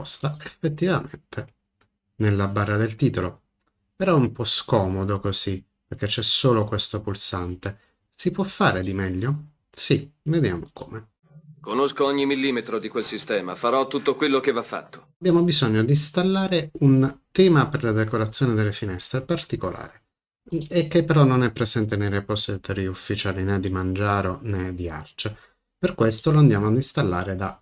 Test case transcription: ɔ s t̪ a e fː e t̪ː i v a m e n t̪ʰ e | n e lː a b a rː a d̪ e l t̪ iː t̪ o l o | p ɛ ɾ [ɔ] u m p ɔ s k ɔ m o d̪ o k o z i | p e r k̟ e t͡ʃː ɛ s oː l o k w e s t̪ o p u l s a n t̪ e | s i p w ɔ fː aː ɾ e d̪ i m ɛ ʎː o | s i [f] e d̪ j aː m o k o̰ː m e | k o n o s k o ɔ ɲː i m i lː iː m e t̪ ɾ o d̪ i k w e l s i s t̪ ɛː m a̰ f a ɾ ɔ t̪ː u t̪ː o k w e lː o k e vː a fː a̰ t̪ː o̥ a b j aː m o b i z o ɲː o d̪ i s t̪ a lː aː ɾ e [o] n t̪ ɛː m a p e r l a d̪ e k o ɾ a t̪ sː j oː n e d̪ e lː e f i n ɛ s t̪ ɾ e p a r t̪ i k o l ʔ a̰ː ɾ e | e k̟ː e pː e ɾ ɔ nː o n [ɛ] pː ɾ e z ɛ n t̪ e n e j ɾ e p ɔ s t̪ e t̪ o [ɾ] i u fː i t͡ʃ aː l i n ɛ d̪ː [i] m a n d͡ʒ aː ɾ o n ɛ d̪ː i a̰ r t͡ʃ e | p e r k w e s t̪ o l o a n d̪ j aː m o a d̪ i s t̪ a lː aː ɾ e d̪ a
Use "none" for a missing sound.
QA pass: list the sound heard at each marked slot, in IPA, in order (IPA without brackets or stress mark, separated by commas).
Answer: ɔ, v, u, ɛ, ɾ, i